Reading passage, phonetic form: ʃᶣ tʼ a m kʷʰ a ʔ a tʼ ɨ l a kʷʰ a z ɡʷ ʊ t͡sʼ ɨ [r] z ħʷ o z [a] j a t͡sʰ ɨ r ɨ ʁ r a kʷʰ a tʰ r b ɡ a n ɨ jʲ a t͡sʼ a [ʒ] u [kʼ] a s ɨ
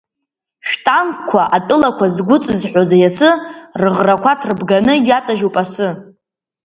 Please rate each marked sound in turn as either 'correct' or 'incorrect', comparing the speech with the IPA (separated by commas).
incorrect, correct, correct, incorrect